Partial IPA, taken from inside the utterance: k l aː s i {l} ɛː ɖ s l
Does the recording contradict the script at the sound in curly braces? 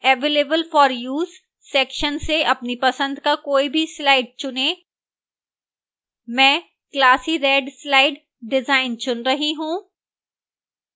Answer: yes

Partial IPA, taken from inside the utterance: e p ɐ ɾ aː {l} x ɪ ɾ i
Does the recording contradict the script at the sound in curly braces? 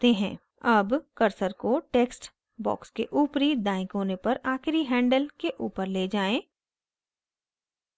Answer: yes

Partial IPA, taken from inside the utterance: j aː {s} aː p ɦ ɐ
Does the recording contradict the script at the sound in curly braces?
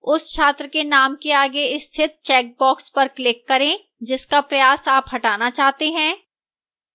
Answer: no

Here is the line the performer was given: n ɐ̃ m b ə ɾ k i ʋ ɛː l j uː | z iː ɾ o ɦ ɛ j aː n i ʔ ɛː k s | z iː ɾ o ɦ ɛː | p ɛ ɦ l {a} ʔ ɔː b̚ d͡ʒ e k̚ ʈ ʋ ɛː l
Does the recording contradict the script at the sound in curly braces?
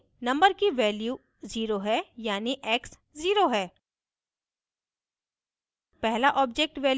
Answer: no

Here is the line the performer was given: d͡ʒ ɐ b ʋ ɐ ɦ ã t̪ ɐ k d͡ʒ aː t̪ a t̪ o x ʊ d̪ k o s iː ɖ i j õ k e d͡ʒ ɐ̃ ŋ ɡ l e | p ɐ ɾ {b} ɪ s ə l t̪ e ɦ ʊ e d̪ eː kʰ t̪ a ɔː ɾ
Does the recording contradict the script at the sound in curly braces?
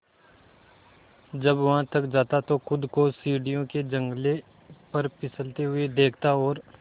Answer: yes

